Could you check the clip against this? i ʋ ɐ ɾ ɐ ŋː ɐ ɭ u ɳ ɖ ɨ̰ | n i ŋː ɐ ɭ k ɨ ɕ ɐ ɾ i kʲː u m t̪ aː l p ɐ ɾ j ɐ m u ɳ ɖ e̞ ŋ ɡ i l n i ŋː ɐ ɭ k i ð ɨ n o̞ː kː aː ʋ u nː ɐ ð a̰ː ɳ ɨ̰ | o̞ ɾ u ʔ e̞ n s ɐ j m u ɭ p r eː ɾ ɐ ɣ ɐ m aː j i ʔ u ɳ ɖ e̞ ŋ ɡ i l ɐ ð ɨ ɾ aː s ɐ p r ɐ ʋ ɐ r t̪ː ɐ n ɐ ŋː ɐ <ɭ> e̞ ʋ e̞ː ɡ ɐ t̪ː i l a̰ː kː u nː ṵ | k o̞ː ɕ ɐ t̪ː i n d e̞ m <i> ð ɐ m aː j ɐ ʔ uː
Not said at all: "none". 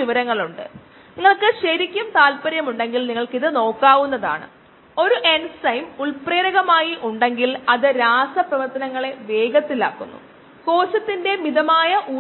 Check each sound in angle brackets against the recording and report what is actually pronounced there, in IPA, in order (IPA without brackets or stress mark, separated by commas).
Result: ɭ, i